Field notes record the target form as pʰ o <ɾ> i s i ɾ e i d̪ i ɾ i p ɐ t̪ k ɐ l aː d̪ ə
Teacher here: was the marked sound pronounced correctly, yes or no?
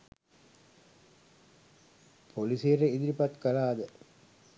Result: no